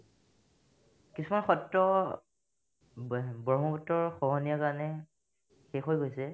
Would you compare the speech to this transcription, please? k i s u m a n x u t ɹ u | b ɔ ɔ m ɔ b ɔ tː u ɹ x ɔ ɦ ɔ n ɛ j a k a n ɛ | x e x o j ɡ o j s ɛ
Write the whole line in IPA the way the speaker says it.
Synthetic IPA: k i s u m a n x ɔ t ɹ ɔ | b ɔ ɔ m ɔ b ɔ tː ɔ ɹ x ɔ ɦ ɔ n i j a k a n ɛ | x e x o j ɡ o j s ɛ